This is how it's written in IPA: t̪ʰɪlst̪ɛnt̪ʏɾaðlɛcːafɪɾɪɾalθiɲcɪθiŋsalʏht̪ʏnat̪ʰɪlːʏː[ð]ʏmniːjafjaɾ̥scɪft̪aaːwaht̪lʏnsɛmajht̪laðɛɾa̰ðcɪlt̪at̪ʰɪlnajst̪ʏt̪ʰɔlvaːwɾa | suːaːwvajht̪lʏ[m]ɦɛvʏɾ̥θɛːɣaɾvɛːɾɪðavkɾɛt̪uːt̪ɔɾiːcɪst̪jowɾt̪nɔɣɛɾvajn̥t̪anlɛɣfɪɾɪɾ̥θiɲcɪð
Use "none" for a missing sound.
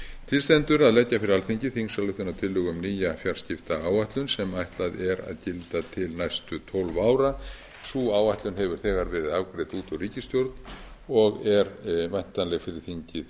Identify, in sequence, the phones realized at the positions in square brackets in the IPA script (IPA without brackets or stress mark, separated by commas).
ɣ, n